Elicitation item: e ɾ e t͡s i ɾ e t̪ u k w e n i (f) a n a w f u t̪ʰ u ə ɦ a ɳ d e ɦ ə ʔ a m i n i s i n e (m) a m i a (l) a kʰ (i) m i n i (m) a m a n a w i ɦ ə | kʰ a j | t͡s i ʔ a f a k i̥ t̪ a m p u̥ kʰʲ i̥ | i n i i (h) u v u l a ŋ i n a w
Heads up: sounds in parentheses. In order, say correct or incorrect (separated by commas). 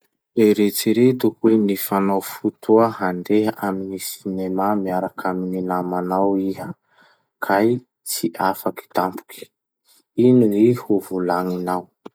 correct, correct, incorrect, incorrect, incorrect, correct